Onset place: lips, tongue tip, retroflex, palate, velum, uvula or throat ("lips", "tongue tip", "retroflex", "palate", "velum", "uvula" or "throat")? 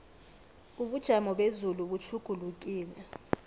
lips